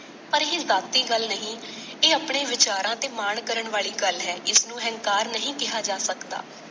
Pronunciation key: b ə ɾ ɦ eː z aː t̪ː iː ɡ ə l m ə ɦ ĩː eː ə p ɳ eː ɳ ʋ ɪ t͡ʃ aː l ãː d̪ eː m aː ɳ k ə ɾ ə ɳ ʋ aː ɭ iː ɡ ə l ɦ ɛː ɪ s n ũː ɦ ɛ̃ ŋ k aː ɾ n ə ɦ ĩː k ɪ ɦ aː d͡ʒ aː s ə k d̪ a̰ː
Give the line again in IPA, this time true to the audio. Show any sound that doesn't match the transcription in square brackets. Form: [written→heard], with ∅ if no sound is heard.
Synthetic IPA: [b→p] ə ɾ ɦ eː z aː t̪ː iː ɡ ə l [m→n] ə ɦ ĩː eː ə p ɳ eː [ɳ→∅] ʋ ɪ t͡ʃ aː [l→ɾ] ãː [d̪→t̪] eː m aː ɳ k ə ɾ ə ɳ ʋ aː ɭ iː ɡ ə l ɦ ɛː ɪ s n ũː ɦ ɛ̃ ŋ k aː ɾ n ə ɦ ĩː k ɪ ɦ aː d͡ʒ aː s ə k d̪ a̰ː